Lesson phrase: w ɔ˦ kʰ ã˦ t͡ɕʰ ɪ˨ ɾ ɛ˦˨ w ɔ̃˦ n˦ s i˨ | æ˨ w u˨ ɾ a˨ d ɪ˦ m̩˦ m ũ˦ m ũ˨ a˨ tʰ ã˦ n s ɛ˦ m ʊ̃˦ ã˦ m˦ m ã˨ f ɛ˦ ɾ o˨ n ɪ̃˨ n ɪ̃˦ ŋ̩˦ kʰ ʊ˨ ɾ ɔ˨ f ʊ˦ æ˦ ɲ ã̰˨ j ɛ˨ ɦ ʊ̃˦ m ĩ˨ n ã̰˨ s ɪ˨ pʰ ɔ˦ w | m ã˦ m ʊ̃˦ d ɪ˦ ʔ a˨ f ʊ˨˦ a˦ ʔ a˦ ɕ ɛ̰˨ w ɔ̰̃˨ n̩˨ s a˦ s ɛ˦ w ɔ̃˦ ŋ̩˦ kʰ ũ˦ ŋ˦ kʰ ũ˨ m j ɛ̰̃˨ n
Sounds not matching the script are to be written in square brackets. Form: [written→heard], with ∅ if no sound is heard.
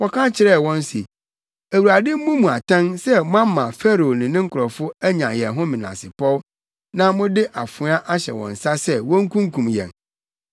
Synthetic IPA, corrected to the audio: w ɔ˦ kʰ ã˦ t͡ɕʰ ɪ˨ ɾ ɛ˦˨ w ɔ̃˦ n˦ s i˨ | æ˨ w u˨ ɾ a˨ d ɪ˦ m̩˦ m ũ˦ m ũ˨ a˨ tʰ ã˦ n s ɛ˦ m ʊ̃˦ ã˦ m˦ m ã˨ f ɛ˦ ɾ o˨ n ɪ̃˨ n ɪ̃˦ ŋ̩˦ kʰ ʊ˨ ɾ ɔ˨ f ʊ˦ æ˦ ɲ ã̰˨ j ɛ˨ ɦ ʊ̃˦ m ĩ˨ n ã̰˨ s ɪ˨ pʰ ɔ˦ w | [m→n] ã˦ m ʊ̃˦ d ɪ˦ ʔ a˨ f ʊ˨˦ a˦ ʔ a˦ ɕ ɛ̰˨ w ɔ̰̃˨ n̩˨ s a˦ s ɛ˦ w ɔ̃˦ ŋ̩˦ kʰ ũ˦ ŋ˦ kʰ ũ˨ m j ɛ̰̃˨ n